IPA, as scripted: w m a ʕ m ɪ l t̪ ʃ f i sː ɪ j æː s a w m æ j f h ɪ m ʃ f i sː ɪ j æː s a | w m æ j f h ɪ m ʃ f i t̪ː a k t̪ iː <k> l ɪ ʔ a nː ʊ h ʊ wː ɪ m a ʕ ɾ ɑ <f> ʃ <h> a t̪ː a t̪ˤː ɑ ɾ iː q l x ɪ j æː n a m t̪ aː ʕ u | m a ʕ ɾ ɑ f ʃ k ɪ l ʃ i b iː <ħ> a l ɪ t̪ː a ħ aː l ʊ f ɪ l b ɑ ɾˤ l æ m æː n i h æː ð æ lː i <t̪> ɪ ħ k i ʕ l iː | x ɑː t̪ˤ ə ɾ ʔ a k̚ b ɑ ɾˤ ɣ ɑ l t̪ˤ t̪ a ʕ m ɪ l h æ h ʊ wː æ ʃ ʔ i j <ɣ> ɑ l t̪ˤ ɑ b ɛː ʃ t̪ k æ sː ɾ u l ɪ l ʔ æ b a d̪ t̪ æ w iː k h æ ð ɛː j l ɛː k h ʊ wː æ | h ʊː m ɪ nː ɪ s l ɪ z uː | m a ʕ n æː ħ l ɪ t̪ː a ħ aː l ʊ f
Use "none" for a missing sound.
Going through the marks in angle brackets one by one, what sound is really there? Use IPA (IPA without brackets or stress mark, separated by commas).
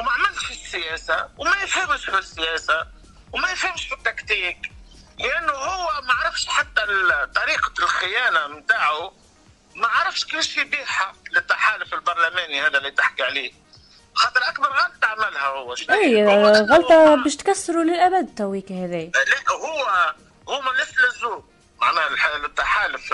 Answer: k, f, ħ, ħ, t̪, ɣ